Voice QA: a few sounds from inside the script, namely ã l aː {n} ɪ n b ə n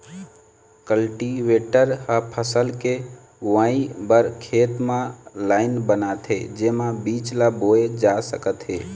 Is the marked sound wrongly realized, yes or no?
yes